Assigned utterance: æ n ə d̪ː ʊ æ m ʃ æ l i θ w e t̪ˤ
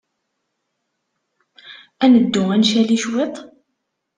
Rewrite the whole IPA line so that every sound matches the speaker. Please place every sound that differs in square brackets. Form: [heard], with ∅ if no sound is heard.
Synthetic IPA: æ n ə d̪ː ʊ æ [n] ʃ æ l i [ʃ] w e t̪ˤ